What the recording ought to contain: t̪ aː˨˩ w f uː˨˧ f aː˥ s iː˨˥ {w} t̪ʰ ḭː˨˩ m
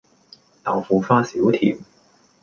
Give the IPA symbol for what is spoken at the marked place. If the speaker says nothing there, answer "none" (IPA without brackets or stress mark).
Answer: w